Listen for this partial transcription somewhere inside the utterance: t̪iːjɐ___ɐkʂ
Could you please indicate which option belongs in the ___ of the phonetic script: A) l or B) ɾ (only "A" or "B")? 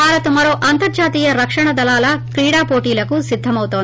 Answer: B